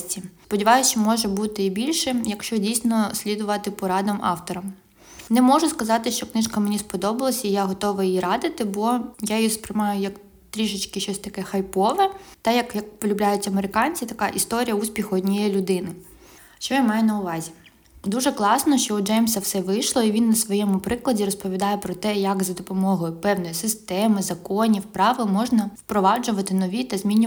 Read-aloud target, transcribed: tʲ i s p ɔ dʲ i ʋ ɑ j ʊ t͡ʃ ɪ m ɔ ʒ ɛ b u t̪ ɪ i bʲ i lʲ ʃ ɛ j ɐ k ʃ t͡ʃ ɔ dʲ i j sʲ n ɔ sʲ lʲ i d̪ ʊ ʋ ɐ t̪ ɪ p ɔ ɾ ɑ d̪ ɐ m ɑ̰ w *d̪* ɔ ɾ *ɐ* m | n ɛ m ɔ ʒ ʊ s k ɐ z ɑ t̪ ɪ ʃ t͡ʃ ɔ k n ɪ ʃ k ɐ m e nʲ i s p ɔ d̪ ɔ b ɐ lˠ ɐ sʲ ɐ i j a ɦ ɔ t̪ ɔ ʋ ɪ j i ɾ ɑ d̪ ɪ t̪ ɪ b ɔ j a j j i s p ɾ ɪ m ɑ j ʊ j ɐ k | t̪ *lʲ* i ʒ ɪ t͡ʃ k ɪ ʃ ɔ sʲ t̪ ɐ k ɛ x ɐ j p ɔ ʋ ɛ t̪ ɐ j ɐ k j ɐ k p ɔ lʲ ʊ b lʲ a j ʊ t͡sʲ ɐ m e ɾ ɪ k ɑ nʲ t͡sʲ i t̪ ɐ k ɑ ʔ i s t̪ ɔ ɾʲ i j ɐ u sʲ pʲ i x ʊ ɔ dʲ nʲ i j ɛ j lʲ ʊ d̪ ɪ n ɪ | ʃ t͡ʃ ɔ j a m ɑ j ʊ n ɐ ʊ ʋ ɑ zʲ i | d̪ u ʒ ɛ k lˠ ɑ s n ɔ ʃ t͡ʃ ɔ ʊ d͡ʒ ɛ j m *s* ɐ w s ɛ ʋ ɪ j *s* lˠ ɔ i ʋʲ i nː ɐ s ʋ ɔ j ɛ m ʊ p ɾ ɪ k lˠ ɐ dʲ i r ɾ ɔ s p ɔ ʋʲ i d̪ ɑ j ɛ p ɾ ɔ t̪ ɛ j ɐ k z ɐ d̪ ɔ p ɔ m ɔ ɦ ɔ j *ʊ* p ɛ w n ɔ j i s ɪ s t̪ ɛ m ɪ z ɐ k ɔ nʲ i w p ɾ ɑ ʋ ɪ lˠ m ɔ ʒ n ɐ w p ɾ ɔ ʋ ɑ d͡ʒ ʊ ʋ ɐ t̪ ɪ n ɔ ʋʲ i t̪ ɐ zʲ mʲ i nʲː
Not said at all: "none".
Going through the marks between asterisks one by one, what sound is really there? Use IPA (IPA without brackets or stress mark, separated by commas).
t̪, ɐ, ɾʲ, s, ʃ, ʊ